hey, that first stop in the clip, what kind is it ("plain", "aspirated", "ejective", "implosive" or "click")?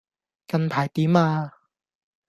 plain